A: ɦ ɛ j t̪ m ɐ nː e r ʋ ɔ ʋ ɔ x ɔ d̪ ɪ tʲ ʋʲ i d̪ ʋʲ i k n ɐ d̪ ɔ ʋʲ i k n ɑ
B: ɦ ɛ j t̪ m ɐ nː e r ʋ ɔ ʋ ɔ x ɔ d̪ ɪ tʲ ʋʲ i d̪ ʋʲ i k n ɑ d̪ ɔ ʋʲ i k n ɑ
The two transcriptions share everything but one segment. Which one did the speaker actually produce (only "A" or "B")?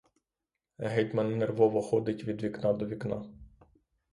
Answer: B